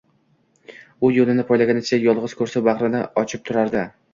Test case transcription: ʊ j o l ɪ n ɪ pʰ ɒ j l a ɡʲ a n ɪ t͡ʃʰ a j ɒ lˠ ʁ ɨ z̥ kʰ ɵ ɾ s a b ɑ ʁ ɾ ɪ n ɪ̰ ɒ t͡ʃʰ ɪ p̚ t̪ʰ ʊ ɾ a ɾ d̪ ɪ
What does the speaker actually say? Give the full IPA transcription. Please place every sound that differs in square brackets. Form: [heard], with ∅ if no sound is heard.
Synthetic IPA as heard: ʊ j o l ɪ n ɪ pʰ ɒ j l a ɡʲ a n ɪ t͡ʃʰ a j ɒ lˠ ʁ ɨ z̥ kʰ ɵ ɾ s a b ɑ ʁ ɾ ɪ n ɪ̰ ɒ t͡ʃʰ ɪ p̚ t̪ʰ ʊ ɾ a ɾ d̪ ɪ